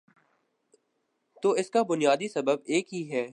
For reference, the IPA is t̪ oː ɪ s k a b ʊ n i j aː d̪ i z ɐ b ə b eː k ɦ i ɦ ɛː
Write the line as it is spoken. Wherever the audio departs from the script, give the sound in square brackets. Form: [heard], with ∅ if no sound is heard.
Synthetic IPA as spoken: t̪ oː ɪ s k a b ʊ n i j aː d̪ i [s] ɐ b ə b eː k ɦ i ɦ ɛː